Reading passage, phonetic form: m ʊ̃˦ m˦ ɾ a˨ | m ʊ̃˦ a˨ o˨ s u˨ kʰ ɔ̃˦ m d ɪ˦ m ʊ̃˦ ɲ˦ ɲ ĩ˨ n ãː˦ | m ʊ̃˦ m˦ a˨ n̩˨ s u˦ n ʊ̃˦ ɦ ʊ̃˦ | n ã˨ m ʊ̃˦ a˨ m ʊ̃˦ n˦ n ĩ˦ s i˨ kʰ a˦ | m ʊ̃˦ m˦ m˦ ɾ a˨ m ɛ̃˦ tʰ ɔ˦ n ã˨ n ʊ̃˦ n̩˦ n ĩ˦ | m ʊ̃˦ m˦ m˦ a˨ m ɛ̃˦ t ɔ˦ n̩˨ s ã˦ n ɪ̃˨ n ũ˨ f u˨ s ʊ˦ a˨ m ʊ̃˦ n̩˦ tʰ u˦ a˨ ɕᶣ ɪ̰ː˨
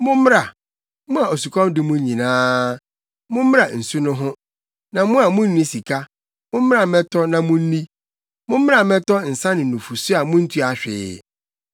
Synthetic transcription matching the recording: m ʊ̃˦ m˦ ɾ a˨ | m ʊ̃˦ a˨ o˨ s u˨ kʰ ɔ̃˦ m d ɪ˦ m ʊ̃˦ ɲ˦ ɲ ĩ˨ n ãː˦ | m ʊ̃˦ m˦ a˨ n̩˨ s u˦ n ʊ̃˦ ɦ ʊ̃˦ | n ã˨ m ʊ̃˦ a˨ m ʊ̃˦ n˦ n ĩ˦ s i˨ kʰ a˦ | m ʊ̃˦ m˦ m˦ ɾ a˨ m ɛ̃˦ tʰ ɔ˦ n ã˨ m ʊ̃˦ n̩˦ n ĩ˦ | m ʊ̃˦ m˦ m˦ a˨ m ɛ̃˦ t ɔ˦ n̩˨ s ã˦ n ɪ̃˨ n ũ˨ f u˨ s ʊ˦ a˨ m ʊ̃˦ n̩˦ tʰ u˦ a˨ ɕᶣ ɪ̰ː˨